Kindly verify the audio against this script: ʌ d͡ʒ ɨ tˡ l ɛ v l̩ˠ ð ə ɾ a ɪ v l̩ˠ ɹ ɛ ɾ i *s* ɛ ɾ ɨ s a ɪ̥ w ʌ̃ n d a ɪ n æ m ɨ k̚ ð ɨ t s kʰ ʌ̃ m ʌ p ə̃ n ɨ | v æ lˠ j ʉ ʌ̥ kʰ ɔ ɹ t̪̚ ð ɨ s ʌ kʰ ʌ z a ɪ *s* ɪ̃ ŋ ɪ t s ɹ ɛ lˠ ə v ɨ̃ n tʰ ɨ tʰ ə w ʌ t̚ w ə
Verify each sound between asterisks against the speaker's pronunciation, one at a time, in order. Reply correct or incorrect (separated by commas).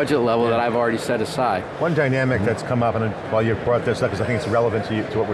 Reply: correct, incorrect